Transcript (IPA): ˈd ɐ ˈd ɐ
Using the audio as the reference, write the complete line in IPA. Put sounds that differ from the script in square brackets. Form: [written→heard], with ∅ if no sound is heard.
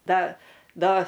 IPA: ˈd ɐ ˈd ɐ